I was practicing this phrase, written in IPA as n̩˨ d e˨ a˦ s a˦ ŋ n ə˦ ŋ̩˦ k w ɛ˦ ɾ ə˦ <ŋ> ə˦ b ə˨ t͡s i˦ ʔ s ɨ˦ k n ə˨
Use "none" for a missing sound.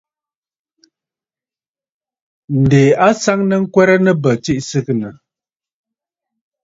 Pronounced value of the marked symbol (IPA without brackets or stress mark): n